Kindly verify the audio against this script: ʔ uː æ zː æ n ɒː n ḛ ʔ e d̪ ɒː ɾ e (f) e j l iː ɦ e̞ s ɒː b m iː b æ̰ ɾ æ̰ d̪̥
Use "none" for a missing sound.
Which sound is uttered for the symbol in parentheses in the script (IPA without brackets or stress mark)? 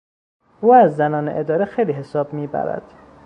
x